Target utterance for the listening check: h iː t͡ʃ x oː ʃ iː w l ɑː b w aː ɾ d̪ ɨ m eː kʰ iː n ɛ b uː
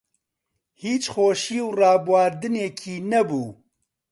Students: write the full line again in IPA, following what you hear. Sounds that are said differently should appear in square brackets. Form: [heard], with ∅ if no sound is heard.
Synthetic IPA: h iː t͡ʃ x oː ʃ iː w [r] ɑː b w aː ɾ d̪ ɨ [n] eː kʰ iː n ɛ b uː